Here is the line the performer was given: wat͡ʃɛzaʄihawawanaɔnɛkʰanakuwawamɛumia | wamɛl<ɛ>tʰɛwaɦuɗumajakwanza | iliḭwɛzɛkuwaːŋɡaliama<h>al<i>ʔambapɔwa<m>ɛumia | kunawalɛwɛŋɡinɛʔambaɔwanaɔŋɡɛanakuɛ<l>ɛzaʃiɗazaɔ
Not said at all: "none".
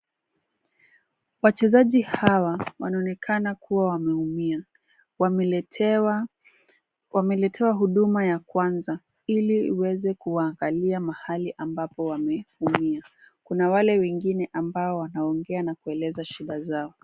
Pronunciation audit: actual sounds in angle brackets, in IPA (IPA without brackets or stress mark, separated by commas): ɛ, h, i, m, l